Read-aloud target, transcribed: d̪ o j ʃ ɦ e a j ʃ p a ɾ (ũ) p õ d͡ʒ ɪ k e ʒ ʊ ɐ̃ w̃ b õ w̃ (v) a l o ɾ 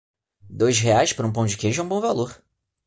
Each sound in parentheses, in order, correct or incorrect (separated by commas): correct, correct